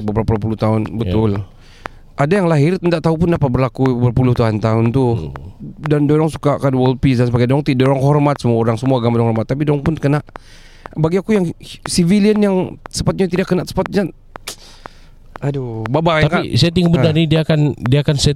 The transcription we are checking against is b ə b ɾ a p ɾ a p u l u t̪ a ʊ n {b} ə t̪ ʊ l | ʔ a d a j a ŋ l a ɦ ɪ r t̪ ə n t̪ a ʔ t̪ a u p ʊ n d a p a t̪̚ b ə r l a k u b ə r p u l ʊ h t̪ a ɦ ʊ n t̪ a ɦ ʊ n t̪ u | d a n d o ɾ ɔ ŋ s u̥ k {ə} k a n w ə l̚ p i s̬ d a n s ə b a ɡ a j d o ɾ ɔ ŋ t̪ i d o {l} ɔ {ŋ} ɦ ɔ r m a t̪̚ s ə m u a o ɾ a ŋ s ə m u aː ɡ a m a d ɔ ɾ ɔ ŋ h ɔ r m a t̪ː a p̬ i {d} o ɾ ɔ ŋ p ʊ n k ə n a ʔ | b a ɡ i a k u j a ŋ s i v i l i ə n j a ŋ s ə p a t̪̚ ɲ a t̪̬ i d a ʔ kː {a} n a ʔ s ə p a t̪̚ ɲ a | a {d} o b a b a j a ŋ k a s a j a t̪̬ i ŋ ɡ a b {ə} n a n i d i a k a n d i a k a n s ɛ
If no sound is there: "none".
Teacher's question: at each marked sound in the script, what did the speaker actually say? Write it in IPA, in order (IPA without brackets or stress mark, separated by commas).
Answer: b, a, ɾ, ŋ, d, ə, d, ə